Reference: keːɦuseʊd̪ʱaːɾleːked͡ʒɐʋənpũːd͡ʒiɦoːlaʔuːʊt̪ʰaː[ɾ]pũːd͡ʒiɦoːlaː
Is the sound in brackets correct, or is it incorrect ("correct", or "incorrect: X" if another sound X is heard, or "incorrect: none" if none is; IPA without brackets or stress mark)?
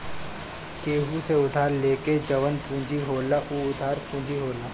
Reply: correct